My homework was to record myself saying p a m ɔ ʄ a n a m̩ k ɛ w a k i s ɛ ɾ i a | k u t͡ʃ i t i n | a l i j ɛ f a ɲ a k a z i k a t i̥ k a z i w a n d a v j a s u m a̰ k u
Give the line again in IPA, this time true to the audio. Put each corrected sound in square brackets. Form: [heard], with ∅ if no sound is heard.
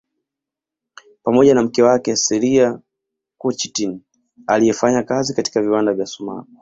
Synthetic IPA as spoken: p a m ɔ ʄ a n a m̩ k ɛ w a k [ɛ] s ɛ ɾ i a | k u t͡ʃ i t i n | a l i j ɛ f a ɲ a k a z i k a t i̥ k a [v] i w a n d a v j a s u m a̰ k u